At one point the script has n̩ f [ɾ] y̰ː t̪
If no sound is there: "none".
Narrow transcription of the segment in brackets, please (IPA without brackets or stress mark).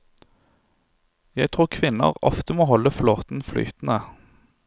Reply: l